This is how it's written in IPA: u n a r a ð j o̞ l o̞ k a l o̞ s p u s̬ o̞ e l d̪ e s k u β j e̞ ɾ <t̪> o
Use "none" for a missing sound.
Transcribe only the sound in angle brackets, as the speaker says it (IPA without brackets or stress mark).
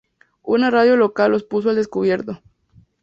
t̪